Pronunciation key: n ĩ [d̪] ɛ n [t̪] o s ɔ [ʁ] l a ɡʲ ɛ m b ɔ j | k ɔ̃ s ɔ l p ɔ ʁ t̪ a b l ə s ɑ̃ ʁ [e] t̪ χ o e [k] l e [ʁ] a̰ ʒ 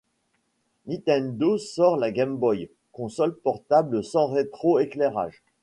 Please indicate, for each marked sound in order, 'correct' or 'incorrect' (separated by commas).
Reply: incorrect, incorrect, correct, correct, correct, correct